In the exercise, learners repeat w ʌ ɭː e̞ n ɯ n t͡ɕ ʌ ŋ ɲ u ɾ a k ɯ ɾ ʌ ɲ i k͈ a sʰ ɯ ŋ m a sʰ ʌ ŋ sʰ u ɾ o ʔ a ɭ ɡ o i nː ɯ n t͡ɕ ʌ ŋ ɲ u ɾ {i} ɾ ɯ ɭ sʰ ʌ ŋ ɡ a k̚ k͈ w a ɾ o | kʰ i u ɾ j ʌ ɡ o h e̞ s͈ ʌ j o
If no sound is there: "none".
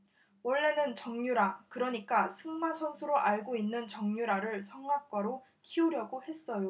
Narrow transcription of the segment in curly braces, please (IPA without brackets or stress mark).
a